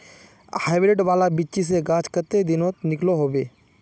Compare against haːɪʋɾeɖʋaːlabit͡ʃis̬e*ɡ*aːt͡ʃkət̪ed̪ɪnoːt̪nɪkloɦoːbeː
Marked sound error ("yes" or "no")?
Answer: no